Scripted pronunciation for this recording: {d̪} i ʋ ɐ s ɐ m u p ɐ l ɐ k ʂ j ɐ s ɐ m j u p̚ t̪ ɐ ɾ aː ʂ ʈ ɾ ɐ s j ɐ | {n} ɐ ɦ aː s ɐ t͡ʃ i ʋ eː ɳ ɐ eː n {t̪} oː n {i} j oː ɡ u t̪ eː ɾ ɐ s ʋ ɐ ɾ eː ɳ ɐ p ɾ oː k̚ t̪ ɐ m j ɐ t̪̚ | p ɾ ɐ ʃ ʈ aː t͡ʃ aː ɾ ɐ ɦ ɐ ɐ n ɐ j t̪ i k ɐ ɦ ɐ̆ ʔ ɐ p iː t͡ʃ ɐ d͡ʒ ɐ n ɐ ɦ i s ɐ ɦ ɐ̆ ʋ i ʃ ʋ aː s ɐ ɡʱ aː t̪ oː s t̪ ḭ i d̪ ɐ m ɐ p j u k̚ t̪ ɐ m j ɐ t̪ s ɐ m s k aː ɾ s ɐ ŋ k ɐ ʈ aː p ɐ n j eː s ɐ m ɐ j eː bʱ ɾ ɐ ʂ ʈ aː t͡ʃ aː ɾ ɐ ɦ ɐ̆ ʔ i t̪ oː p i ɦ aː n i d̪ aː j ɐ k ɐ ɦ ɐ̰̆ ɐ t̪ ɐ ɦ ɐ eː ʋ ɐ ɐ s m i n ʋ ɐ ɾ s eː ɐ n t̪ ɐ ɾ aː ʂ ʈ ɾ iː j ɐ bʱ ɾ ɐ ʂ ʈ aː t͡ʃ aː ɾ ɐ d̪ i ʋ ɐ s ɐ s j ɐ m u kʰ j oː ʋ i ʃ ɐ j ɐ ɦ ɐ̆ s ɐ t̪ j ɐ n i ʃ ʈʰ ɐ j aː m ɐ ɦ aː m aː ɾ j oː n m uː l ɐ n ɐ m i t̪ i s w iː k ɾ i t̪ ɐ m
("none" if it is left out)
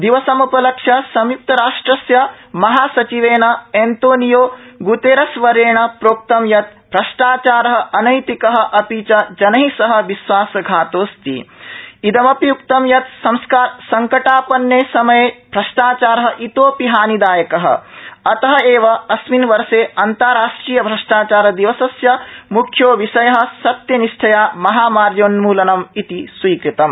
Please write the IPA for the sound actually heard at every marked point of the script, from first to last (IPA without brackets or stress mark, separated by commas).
d̪, m, t̪, i